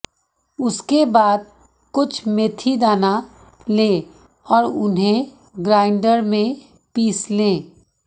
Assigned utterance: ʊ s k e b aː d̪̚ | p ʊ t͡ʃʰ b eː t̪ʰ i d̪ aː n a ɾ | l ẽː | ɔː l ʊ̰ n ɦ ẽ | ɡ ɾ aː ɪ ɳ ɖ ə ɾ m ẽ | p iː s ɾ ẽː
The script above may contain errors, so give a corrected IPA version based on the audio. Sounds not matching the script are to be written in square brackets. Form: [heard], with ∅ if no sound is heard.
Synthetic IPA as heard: ʊ s k e b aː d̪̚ | [k] ʊ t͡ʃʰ [m] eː t̪ʰ i d̪ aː n a [∅] | l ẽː | ɔː [ɾ] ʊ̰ n ɦ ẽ | ɡ ɾ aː ɪ ɳ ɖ ə ɾ m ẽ | p iː s [l] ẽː